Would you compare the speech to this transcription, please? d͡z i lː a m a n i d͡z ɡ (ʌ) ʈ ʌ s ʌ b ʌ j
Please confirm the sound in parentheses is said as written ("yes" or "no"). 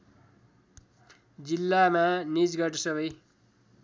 yes